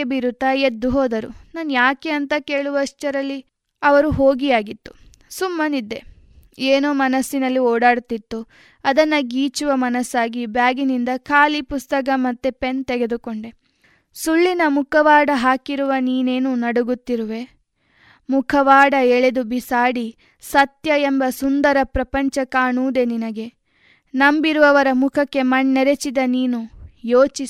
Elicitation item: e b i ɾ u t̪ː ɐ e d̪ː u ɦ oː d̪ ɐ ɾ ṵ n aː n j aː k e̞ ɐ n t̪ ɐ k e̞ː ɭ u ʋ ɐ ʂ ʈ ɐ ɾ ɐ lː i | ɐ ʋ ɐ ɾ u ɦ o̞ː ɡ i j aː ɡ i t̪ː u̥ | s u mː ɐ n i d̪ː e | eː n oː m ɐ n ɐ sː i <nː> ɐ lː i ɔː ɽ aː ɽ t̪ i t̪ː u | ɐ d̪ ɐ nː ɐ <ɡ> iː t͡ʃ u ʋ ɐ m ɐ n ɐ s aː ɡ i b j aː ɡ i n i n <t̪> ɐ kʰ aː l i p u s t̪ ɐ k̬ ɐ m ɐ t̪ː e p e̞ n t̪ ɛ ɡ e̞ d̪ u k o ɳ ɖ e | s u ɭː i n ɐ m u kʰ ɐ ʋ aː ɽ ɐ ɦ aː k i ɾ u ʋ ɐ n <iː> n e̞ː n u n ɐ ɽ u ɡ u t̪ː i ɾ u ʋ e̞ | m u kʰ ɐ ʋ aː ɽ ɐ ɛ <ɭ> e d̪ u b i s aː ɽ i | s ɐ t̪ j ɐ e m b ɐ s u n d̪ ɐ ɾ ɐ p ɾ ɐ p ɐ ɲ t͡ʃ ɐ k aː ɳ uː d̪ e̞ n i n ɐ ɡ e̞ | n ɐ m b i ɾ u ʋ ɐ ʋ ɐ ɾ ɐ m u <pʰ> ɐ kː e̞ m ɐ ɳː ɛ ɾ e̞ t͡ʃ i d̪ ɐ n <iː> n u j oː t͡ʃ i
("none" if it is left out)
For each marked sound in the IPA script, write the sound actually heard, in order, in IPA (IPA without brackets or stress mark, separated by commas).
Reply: n, ɡ, d̪, iː, ɭ, kʰ, iː